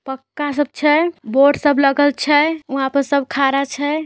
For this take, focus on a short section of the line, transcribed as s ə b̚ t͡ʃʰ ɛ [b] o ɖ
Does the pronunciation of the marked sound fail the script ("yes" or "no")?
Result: no